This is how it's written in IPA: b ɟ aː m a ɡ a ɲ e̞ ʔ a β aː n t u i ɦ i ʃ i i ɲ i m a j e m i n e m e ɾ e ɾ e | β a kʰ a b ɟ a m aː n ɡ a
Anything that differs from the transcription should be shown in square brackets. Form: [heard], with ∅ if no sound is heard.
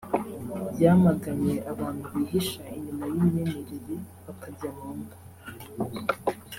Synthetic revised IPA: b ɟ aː m a ɡ a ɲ e̞ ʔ a β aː n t u i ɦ i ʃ [a] i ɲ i m a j [i] m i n e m e ɾ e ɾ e | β a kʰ a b ɟ a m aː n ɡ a